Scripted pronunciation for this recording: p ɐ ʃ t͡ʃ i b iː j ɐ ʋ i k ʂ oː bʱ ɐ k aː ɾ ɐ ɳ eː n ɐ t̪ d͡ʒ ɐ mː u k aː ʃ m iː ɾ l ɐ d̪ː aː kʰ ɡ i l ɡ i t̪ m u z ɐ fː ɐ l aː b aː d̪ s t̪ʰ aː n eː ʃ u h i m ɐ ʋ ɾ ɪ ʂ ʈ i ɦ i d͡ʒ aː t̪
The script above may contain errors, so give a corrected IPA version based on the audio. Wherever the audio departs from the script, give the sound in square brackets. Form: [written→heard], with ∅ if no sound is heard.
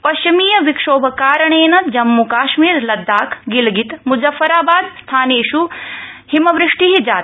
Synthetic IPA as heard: p ɐ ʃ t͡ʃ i [b→m] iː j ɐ ʋ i k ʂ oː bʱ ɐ k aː ɾ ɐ ɳ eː n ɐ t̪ d͡ʒ ɐ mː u k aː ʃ m iː ɾ l ɐ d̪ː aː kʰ ɡ i l ɡ i t̪ m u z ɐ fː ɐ [l→ɾ] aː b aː d̪ s t̪ʰ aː n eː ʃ u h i m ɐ ʋ ɾ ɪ ʂ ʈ i ɦ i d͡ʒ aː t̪

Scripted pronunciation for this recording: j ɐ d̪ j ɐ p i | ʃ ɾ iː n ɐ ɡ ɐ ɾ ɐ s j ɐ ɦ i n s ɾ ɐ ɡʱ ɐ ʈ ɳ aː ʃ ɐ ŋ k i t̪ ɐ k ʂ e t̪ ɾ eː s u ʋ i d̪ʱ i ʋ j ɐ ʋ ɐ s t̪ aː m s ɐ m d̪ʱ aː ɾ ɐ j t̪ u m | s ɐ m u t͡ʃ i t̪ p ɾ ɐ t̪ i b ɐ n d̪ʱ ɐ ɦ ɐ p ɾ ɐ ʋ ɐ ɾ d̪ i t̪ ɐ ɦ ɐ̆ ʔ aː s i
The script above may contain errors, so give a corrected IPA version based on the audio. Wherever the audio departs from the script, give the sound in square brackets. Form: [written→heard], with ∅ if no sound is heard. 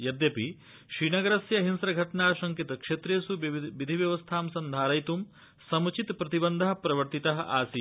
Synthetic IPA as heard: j ɐ d̪ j ɐ p i | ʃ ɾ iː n ɐ ɡ ɐ ɾ ɐ s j ɐ ɦ i n s ɾ ɐ ɡʱ ɐ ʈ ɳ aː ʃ ɐ ŋ k i t̪ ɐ k ʂ e t̪ ɾ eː s u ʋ i d̪ʱ i ʋ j ɐ ʋ ɐ s [t̪→t̪ʰ] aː m s ɐ [m→n] d̪ʱ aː ɾ ɐ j t̪ u m | s ɐ m u t͡ʃ i t̪ p ɾ ɐ t̪ i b ɐ n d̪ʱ ɐ ɦ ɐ p ɾ ɐ ʋ ɐ ɾ [d̪→t̪] i t̪ ɐ ɦ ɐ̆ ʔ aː s i

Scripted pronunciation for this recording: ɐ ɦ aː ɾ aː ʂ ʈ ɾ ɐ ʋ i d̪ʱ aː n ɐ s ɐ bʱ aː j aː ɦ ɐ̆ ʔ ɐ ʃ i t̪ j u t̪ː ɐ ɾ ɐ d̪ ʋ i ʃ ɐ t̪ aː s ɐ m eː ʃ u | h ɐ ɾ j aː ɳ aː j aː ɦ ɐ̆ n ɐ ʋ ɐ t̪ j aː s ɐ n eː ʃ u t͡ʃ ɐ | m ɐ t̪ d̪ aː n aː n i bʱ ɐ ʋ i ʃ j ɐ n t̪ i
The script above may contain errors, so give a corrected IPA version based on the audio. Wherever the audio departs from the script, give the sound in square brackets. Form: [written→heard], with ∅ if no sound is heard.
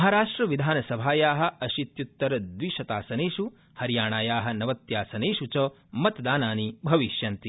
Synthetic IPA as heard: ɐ ɦ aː ɾ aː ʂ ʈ ɾ ɐ ʋ i d̪ʱ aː n ɐ s ɐ bʱ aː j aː ɦ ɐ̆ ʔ ɐ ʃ i t̪ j u t̪ː ɐ ɾ ɐ d̪ ʋ i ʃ ɐ t̪ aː s ɐ [m→n] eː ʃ u | h ɐ ɾ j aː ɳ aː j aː ɦ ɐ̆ n ɐ ʋ ɐ t̪ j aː s ɐ n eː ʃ u t͡ʃ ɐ | m ɐ t̪ d̪ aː n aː n i bʱ ɐ ʋ i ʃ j ɐ n t̪ i

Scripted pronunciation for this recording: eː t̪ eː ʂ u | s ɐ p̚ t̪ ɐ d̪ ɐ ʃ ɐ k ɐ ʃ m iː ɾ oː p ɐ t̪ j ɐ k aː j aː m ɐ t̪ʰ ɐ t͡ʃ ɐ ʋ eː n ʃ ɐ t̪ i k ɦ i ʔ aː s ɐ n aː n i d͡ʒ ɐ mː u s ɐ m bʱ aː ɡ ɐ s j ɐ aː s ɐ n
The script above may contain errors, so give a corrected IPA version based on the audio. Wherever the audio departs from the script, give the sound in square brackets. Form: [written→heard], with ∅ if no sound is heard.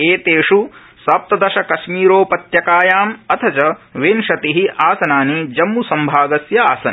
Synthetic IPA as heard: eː t̪ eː ʂ u | s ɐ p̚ t̪ ɐ d̪ ɐ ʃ ɐ k ɐ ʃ m iː ɾ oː p ɐ t̪ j ɐ k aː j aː m ɐ t̪ʰ ɐ t͡ʃ ɐ ʋ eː n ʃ ɐ t̪ i [k→∅] ɦ i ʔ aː s ɐ n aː n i d͡ʒ ɐ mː u s ɐ m bʱ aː ɡ ɐ s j ɐ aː s ɐ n

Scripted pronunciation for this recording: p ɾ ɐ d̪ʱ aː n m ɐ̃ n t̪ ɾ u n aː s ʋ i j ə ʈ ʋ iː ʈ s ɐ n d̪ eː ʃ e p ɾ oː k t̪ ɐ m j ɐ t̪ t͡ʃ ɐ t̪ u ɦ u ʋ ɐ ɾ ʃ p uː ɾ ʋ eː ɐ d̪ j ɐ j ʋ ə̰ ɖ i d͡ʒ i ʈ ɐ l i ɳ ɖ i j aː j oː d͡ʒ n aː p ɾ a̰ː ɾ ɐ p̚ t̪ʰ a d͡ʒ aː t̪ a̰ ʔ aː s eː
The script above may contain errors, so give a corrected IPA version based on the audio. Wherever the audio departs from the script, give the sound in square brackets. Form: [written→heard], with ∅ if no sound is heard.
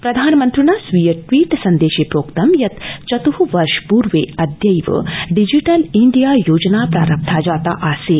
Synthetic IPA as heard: p ɾ ɐ d̪ʱ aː n m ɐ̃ n t̪ ɾ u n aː s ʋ i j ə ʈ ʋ iː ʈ s ɐ n d̪ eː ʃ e p ɾ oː k t̪ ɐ m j ɐ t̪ t͡ʃ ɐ t̪ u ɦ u ʋ ɐ ɾ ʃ p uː ɾ ʋ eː ɐ d̪ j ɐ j ʋ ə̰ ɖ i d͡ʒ i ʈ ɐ l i ɳ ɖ i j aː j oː d͡ʒ n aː p ɾ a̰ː ɾ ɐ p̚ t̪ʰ a d͡ʒ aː t̪ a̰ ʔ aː s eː

